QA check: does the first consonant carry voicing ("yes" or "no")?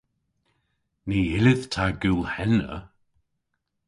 yes